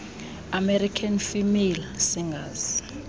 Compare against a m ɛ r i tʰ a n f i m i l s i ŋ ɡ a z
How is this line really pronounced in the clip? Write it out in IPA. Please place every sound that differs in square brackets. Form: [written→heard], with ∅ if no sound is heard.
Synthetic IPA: a m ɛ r i [tʰ→kʰ] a n f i m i l s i ŋ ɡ a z